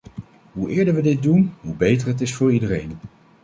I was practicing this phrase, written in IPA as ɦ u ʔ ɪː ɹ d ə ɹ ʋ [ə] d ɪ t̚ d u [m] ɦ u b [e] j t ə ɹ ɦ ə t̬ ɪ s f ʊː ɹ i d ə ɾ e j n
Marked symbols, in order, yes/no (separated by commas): yes, no, yes